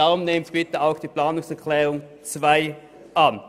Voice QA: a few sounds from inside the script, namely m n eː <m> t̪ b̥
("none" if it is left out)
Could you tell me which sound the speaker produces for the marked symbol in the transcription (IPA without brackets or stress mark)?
m